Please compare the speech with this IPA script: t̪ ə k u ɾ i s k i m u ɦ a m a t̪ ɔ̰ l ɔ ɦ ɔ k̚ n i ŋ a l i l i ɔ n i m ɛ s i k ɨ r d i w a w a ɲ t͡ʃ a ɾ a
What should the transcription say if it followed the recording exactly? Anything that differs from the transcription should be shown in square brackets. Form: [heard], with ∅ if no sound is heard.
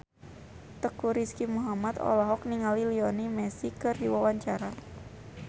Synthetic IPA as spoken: t̪ ə k u ɾ i s k i m u ɦ a m a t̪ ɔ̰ l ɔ ɦ ɔ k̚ n i ŋ a l i l i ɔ n i m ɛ s i k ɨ r d i w a w a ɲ t͡ʃ a ɾ a